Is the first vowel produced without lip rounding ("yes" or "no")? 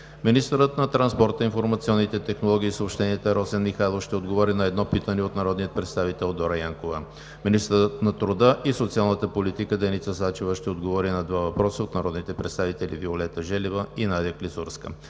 yes